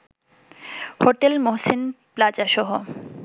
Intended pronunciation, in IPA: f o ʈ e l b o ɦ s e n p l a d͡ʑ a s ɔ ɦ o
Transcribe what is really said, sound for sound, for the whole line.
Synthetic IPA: h o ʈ e l m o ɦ s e n p l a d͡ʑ a ʃ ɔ ɦ o

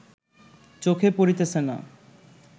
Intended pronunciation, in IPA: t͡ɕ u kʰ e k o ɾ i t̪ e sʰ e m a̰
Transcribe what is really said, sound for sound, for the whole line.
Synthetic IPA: t͡ɕ o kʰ e p o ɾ i t̪ e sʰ e n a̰

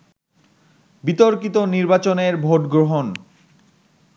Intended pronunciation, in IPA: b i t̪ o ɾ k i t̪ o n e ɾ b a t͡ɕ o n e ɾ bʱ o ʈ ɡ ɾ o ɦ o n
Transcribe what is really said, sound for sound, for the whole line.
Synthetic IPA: b i t̪ o ɾ k i t̪ o n i ɾ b a t͡ɕ o n e ɾ bʱ o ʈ ɡ ɾ o ɦ o n

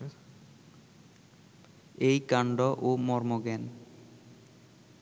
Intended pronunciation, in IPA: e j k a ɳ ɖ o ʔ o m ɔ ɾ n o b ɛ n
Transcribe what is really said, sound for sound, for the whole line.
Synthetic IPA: e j k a ɳ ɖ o ʔ o m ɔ ɾ m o ɡ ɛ n

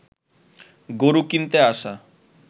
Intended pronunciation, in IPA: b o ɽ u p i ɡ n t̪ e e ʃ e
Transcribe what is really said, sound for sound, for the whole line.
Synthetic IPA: ɡ o ɾ u k i n t̪ e a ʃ a

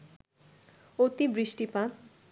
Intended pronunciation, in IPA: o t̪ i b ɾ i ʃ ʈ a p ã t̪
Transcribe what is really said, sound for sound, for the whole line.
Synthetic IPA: o t̪ i b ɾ i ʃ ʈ i p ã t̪

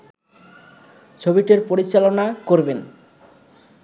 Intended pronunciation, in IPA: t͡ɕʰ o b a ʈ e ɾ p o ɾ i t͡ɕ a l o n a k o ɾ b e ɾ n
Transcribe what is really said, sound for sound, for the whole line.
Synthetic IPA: t͡ɕʰ o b i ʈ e ɾ p o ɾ i t͡ɕ a l o n a k o ɾ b e n

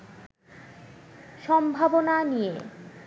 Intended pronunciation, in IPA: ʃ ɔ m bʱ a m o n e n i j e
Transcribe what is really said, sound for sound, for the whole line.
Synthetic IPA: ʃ ɔ m bʱ a b o n a n i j e

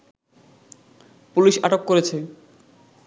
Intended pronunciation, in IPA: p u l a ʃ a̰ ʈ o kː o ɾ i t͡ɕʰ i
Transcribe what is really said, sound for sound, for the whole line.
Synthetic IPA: p u l i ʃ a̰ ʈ o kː o ɾ e t͡ɕʰ e

